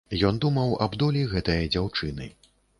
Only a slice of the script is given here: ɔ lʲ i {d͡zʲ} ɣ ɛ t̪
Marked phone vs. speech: incorrect: none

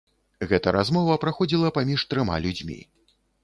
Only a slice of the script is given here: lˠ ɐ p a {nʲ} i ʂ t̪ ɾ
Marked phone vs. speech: incorrect: mʲ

